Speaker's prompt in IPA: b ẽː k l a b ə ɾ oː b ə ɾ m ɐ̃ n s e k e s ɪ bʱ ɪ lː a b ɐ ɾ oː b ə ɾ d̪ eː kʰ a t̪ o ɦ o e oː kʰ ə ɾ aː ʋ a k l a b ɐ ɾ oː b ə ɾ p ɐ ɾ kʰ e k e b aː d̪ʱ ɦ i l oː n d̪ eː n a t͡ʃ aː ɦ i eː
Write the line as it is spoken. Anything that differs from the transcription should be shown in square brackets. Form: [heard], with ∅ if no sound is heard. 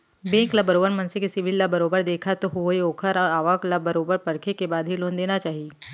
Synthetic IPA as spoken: b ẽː k l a b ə ɾ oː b ə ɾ m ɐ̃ n s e k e s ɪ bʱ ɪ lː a b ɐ ɾ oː b ə ɾ d̪ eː kʰ a t̪ o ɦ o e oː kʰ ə ɾ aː ʋ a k l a b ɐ ɾ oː b ə ɾ p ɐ ɾ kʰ e k e b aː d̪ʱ ɦ i l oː n d̪ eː n a t͡ʃ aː ɦ i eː